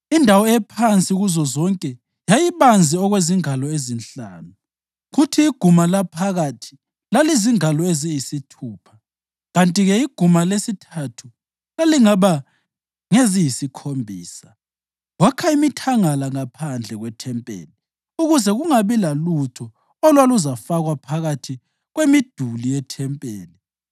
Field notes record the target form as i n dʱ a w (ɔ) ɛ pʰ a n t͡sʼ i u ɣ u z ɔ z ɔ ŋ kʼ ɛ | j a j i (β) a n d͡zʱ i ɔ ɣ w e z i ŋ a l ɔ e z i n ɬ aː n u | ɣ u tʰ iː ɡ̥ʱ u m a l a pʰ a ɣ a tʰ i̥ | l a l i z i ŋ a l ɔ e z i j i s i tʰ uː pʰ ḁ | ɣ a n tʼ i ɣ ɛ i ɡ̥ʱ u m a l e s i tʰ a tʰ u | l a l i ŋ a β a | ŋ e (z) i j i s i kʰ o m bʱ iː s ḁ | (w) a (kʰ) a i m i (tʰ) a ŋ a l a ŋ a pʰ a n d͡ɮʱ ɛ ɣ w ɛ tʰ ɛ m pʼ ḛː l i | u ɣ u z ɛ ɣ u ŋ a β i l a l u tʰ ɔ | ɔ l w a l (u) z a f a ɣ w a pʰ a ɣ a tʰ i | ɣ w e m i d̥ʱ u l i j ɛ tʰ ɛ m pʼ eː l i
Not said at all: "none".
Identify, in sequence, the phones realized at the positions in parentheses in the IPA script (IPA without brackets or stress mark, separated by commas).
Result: ɔ, β, z, w, kʰ, tʰ, u